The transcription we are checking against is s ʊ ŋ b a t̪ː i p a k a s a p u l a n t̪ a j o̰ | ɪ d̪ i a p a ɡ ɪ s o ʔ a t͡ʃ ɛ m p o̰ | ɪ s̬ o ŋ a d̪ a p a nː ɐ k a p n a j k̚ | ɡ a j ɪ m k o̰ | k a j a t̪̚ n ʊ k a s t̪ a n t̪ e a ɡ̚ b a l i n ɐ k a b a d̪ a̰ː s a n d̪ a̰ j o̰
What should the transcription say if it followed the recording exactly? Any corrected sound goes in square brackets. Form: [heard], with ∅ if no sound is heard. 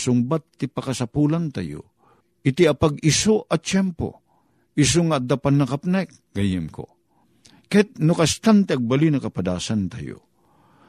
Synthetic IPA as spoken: s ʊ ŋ b a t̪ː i p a k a s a p u l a n t̪ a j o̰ | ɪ [t̪] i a p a ɡ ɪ s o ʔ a t͡ʃ ɛ m p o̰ | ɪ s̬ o ŋ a d̪ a p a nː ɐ k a p n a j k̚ | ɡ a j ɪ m k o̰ | k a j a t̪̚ n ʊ k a s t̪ a n t̪ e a ɡ̚ b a l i n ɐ k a [p] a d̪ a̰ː s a n [t̪] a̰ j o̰